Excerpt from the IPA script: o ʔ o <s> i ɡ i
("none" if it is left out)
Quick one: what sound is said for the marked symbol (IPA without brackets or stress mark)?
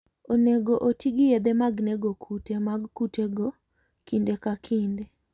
t